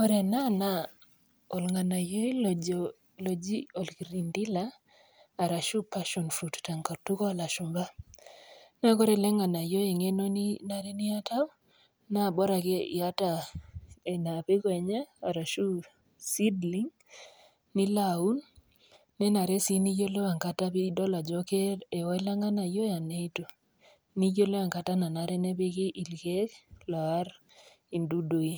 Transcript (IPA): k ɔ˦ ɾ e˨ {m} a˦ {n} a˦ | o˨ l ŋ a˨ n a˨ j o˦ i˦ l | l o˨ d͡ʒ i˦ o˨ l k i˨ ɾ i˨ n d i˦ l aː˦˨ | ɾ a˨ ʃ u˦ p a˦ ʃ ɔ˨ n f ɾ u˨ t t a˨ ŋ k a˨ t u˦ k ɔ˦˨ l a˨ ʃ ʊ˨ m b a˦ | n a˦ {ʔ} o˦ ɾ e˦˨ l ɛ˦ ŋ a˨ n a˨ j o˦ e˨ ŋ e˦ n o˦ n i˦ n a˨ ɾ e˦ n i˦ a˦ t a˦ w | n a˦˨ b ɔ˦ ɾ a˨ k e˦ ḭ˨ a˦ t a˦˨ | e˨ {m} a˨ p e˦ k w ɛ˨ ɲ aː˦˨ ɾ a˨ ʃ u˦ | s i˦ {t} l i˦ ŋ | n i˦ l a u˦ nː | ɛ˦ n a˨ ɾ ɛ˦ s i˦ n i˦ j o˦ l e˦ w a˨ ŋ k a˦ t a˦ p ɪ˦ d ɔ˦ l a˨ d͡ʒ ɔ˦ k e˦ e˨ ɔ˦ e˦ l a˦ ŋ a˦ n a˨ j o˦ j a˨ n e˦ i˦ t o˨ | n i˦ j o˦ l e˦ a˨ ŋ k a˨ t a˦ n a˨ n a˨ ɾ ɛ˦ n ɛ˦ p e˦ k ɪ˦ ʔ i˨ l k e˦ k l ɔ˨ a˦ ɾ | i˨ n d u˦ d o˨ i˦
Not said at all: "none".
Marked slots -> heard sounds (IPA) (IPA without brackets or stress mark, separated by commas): n, n, k, n, d